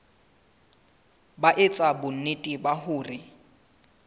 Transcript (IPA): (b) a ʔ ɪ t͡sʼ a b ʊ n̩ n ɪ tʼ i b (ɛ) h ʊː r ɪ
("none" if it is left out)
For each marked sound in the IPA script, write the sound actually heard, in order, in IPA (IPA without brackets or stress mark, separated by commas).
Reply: b, a